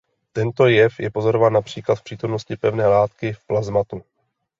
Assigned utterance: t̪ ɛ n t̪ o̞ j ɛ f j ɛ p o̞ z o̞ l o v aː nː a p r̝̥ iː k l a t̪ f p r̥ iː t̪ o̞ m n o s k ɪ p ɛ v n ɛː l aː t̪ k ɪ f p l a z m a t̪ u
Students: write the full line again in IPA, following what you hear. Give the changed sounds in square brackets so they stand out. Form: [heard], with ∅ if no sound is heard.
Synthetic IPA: t̪ ɛ n t̪ o̞ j ɛ f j ɛ p o̞ z o̞ [ɾ] o v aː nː a p r̝̥ iː k l a t̪ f p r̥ iː t̪ o̞ m n o s [c] ɪ p ɛ v n ɛː l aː t̪ k ɪ f p l a z m a t̪ u